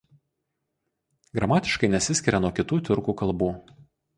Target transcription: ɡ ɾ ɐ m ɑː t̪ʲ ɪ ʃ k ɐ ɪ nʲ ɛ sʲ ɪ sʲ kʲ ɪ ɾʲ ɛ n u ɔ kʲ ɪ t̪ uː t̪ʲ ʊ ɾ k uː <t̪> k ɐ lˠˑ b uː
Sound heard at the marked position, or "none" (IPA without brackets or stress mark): none